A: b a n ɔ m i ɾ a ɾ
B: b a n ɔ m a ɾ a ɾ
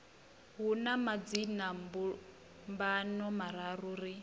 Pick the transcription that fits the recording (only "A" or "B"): B